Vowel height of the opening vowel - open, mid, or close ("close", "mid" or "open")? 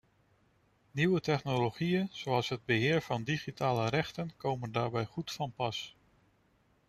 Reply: close